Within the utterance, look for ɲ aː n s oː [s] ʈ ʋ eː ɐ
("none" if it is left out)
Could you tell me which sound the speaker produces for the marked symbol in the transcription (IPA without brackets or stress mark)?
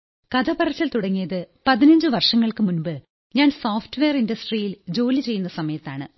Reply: f